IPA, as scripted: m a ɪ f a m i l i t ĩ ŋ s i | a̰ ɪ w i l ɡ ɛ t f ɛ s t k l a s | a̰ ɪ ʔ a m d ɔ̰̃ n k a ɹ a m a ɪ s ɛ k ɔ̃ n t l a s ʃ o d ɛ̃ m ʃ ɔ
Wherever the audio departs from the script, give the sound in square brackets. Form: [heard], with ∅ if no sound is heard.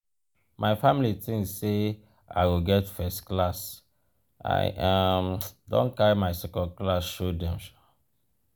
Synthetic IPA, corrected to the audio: m a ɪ f a m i l i t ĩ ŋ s [e] | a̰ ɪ w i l ɡ ɛ t f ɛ s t k l a s | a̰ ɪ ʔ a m d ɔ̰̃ n k a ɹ [i] m a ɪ s ɛ k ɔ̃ n [k] l a s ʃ o d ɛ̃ m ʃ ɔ